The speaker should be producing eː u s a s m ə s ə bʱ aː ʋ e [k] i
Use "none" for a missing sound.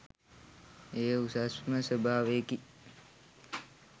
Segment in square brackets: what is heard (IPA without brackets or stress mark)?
k